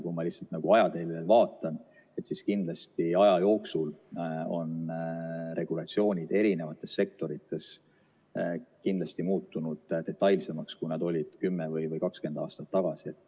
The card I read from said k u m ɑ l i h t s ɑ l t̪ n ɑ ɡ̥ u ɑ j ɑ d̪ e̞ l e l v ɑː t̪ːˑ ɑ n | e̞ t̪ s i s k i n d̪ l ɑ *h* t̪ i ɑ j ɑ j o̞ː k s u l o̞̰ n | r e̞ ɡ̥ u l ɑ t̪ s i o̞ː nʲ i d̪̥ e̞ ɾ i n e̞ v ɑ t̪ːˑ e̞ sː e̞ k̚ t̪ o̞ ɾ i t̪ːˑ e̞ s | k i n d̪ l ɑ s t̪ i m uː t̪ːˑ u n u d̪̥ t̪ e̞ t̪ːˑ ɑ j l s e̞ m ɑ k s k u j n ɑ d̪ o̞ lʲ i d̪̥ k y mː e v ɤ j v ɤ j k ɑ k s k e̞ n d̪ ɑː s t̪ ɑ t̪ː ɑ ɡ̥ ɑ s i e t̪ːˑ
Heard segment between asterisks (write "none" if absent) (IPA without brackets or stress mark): s